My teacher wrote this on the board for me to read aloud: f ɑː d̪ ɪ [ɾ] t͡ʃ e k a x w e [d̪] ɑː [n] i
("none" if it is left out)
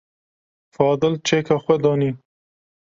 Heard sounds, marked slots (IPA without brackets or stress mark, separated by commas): l, d̪, n